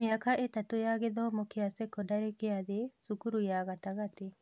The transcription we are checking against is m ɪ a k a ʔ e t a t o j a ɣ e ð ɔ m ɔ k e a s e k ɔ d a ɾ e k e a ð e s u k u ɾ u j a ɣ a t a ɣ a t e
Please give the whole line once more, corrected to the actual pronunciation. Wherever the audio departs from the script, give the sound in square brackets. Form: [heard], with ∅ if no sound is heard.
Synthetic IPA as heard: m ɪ a k a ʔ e t a t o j a ɣ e ð ɔ m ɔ k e a s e k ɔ d a ɾ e k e a ð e s u k u ɾ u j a ɣ a t a ɣ a t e